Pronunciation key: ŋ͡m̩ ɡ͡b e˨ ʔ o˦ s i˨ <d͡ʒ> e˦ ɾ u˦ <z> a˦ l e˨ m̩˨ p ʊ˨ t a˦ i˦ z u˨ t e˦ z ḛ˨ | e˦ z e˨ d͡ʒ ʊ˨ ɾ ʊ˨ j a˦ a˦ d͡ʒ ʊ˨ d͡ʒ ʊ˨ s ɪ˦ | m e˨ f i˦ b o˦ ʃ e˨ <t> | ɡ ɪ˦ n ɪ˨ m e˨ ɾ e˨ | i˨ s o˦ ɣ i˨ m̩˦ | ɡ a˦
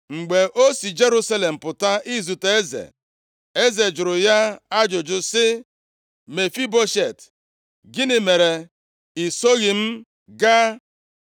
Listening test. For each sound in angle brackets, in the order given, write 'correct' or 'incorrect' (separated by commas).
correct, incorrect, correct